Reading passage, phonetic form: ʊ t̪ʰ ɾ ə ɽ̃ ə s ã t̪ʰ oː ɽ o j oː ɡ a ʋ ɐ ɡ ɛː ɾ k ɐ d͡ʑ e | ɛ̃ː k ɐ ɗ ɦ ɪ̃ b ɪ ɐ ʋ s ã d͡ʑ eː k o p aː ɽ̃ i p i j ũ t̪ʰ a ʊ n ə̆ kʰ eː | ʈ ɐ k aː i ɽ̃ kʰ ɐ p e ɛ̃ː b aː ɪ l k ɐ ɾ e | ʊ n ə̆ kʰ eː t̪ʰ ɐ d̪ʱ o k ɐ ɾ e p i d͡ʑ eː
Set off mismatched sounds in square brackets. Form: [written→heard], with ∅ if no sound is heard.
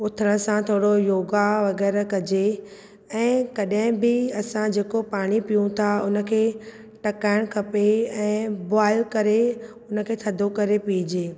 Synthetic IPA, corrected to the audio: ʊ t̪ʰ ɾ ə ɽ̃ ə s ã t̪ʰ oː ɽ o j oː ɡ a ʋ ɐ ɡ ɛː ɾ k ɐ d͡ʑ e | ɛ̃ː k ɐ ɗ ɦ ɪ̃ b ɪ ɐ [ʋ→∅] s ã d͡ʑ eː k o p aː ɽ̃ i p i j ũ t̪ʰ a ʊ n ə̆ kʰ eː | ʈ ɐ k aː [i→ɪ] ɽ̃ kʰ ɐ p e ɛ̃ː b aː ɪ l k ɐ ɾ e | ʊ n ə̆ kʰ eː t̪ʰ ɐ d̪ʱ o k ɐ ɾ e p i d͡ʑ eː